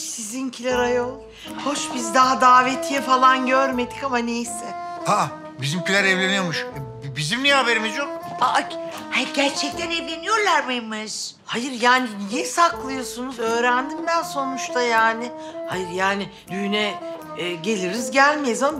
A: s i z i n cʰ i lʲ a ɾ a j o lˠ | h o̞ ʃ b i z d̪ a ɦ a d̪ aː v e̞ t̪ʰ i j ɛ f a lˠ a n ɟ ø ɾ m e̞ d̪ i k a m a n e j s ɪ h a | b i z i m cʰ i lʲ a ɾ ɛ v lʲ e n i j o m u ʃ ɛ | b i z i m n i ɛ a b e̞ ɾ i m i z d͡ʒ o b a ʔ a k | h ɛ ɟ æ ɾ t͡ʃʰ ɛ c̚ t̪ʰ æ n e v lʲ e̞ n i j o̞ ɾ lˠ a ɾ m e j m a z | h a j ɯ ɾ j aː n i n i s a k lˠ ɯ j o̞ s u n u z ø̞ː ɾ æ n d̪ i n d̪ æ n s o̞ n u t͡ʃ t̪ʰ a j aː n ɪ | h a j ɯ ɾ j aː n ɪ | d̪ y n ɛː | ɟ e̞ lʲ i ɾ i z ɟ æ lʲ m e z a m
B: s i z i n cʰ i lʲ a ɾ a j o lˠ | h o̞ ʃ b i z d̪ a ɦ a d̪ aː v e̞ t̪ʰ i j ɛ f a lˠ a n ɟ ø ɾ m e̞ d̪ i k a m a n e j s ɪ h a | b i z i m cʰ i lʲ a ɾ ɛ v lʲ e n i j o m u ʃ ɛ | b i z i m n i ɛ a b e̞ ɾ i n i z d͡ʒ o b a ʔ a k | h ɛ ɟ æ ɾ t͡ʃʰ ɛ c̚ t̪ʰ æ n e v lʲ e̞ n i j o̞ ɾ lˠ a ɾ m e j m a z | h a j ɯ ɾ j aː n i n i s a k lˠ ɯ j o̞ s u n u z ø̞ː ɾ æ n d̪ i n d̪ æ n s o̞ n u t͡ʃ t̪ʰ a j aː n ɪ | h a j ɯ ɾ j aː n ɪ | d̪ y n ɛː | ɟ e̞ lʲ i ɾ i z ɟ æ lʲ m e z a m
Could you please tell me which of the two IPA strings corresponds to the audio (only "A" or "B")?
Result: A